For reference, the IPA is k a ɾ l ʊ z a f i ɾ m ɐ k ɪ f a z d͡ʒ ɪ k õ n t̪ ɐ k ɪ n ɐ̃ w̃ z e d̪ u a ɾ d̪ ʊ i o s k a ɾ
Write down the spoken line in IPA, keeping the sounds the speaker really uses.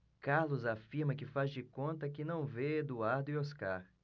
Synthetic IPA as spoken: k a ɾ l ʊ z a f i ɾ m ɐ k ɪ f a z d͡ʒ ɪ k õ n t̪ ɐ k ɪ n ɐ̃ w̃ v e d̪ u a ɾ d̪ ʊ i o s k a ɾ